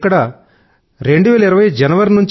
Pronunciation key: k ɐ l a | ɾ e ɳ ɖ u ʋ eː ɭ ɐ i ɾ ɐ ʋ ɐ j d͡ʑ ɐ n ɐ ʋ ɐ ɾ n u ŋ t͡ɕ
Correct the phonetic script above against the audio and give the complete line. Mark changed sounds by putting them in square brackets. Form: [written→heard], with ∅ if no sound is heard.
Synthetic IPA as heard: k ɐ [l→ɽ] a | ɾ e ɳ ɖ u ʋ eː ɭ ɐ i ɾ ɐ ʋ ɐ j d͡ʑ ɐ n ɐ ʋ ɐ ɾ n u [ŋ→ɲ] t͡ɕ